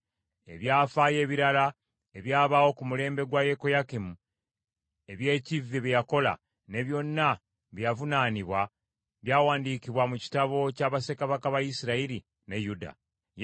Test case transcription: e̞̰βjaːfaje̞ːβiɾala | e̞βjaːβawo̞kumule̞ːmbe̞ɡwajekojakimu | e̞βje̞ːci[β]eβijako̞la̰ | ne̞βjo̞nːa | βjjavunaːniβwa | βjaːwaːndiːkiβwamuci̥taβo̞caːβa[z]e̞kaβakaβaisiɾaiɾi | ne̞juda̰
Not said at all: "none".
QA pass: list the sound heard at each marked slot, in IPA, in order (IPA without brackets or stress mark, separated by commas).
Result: v, s